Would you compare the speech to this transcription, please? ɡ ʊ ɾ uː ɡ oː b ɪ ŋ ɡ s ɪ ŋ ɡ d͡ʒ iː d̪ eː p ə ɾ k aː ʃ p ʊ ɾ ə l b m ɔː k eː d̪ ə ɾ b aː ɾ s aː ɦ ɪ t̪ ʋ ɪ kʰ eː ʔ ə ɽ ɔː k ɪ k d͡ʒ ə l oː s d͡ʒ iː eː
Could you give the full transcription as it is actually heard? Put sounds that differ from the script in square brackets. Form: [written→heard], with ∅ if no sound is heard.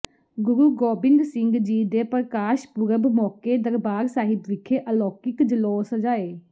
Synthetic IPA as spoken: ɡ ʊ ɾ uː ɡ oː b ɪ ŋ ɡ s ɪ ŋ ɡ d͡ʒ iː d̪ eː p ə ɾ k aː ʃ p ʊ ɾ ə [l→∅] b m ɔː k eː d̪ ə ɾ b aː ɾ s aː ɦ ɪ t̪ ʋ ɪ kʰ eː ʔ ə [ɽ→l] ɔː k ɪ k d͡ʒ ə l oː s d͡ʒ [iː→aː] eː